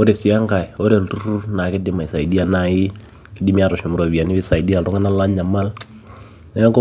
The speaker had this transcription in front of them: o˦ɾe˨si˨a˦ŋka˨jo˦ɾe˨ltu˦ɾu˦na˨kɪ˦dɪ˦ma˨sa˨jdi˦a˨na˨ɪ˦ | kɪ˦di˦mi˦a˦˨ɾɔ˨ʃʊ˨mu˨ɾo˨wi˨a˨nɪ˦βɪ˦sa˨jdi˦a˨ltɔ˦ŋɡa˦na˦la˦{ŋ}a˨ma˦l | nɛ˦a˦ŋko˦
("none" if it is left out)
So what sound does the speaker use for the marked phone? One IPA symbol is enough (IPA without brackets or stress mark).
ɲ